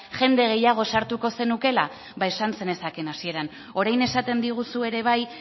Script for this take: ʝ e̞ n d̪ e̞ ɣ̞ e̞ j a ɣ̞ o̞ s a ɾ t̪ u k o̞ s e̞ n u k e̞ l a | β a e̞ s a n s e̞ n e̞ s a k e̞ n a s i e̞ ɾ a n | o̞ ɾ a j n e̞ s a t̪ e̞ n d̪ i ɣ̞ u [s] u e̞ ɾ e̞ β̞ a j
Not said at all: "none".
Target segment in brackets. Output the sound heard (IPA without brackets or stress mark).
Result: s